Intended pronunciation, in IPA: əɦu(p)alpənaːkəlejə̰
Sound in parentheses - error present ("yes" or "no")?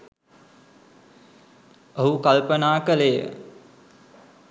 yes